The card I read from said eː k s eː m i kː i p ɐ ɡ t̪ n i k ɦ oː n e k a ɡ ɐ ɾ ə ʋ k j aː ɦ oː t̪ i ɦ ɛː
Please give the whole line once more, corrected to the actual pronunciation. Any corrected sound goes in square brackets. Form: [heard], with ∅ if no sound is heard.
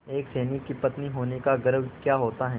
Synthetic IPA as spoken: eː k s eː [n] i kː i p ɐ [∅] t̪ n i [∅] ɦ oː n e k a ɡ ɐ ɾ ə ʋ k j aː ɦ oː t̪ [a] ɦ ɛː